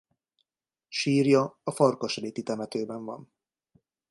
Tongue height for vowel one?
high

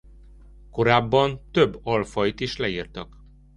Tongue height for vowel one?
mid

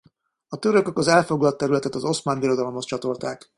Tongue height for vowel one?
low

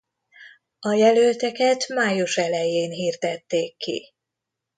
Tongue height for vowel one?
low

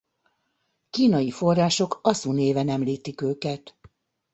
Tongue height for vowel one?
high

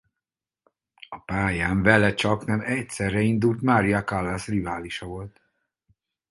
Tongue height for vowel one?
low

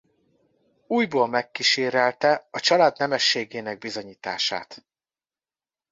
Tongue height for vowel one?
high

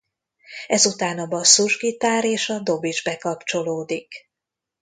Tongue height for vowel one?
mid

